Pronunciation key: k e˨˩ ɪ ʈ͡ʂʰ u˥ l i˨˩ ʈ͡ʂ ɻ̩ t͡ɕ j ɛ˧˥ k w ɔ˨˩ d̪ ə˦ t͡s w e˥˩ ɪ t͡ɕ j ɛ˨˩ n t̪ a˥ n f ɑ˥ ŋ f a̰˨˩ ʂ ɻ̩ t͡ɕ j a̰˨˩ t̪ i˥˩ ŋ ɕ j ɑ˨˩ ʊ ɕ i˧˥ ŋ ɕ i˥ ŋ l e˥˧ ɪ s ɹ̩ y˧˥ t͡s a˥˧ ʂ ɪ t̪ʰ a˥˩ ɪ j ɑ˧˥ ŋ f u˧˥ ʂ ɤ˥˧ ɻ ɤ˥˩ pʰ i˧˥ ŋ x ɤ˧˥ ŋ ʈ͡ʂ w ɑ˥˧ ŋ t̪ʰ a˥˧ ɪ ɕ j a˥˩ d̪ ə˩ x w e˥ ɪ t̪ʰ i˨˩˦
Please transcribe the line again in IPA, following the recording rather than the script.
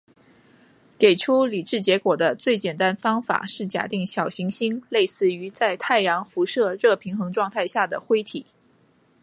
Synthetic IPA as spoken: k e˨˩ ɪ ʈ͡ʂʰ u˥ l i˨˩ ʈ͡ʂ ɻ̩ t͡ɕ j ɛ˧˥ k w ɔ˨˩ d̪ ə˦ t͡s w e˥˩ ɪ t͡ɕ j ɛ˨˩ n t̪ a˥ n f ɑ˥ ŋ f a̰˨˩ ʂ ɻ̩ t͡ɕ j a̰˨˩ t̪ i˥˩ ŋ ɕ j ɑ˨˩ ʊ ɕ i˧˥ ŋ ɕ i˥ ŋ l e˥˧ ɪ s ɹ̩ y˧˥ t͡s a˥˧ ɪ t̪ʰ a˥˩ ɪ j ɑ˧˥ ŋ f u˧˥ ʂ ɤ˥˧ ɻ ɤ˥˩ pʰ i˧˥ ŋ x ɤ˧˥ ŋ ʈ͡ʂ w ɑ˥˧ ŋ t̪ʰ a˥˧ ɪ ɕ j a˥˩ d̪ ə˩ x w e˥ ɪ t̪ʰ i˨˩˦

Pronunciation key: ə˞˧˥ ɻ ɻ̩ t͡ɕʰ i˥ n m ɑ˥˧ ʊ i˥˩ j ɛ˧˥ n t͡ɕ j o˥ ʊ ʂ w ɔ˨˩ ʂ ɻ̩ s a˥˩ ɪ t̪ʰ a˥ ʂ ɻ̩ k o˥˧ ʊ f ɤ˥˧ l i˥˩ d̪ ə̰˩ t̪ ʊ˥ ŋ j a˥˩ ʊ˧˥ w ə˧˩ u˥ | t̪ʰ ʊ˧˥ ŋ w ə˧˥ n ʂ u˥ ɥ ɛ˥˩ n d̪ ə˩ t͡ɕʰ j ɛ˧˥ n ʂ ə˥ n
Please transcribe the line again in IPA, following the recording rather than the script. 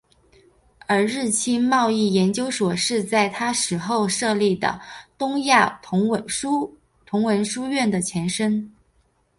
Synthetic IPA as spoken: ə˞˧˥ ɻ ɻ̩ t͡ɕʰ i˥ n m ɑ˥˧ ʊ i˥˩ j ɛ˧˥ n t͡ɕ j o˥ ʊ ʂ w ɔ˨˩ ʂ ɻ̩ t͡s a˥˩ ɪ t̪ʰ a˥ ʂ ɻ̩ x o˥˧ ʊ ʂ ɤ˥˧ l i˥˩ d̪ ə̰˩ t̪ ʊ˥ ŋ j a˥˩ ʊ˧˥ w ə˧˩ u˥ | t̪ʰ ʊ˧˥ ŋ w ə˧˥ n ʂ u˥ ɥ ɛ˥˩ n d̪ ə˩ t͡ɕʰ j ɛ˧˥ n ʂ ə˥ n

